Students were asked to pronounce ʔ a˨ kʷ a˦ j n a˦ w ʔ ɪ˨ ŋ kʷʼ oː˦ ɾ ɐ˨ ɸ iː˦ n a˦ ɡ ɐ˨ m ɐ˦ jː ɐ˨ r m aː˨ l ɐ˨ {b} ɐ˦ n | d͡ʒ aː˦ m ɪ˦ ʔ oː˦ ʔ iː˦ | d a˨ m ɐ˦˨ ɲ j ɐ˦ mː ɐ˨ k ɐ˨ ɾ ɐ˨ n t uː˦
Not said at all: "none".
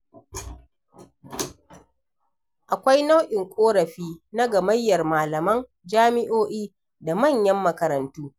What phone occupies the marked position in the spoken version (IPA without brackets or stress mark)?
m